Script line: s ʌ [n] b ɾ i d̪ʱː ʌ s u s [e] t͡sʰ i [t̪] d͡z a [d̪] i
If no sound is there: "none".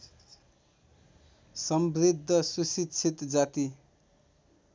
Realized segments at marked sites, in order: m, i, t̪, t̪

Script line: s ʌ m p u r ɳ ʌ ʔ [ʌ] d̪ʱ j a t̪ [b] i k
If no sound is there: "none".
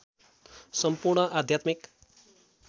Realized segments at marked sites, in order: a, m

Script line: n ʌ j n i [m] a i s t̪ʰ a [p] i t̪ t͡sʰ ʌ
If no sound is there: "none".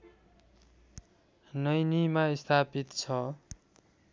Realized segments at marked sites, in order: m, p

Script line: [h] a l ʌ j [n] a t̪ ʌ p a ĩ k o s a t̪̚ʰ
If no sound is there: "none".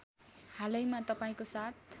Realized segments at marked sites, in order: h, m

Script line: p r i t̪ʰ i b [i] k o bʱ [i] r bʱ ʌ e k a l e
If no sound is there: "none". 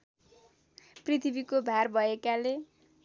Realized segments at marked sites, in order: i, a

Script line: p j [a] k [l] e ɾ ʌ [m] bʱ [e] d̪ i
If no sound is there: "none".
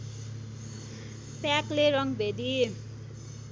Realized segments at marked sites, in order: a, l, ŋ, e

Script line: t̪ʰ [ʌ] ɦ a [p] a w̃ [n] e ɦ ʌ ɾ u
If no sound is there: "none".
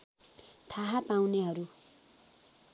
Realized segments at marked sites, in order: a, p, n

